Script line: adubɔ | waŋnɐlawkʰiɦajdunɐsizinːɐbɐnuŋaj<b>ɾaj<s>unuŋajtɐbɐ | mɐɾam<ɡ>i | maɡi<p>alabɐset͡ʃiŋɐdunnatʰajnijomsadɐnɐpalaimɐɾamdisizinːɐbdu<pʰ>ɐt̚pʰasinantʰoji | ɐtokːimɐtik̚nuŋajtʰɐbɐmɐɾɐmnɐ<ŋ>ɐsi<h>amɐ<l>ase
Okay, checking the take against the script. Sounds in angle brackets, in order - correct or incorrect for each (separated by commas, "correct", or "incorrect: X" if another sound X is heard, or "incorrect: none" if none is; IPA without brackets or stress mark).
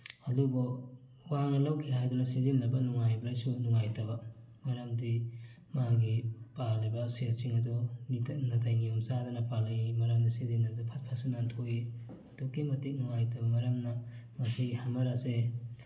correct, correct, incorrect: d, correct, correct, incorrect: m, correct, incorrect: ɾ